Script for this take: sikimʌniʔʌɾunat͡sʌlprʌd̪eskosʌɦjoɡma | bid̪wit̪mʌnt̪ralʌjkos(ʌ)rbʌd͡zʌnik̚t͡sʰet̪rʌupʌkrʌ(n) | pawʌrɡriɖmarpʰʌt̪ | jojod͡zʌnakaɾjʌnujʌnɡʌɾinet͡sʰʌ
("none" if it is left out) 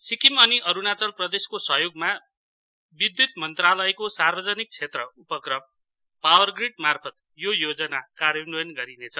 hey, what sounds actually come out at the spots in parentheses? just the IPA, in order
a, m

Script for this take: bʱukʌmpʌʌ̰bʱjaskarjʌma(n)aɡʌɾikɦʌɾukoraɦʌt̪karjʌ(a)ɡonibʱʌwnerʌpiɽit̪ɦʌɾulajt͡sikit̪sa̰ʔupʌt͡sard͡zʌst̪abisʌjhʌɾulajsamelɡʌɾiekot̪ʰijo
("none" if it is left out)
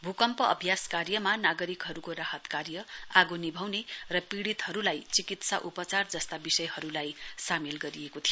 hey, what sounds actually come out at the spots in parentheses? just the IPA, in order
n, a

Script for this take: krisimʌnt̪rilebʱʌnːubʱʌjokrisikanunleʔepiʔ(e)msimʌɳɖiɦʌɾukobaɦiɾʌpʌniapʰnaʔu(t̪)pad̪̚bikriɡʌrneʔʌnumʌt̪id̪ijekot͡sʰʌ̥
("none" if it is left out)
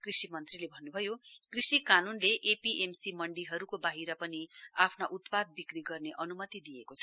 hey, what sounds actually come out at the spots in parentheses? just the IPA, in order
e, t̪

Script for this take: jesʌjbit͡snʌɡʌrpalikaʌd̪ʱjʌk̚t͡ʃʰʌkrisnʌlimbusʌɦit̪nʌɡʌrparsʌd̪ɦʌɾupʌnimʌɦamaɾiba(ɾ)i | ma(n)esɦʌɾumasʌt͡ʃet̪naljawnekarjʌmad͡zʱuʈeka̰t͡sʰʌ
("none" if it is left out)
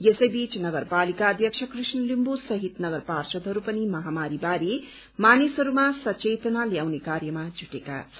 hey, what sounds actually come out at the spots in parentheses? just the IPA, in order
ɾ, n

